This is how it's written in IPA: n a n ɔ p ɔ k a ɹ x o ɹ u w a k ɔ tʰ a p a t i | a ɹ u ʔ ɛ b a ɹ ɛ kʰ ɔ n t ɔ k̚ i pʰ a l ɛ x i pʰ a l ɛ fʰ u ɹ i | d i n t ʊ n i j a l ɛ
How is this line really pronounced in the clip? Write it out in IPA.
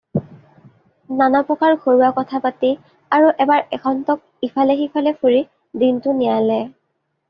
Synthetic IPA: n a n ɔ p ɔ k a ɹ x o ɹ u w a k ɔ tʰ a p a t i | a ɹ u ʔ ɛ b a ɹ ɛ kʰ ɔ n t ɔ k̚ i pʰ a l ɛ x i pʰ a l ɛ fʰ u ɹ i | d i n t ʊ n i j a l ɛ